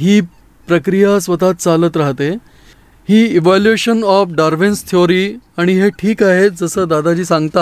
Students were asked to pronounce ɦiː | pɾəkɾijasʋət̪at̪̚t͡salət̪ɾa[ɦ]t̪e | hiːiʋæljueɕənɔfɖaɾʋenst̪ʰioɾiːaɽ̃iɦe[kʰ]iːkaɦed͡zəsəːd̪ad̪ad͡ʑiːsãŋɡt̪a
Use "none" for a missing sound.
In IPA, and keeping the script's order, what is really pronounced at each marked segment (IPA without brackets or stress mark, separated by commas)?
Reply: ɦ, ʈʰ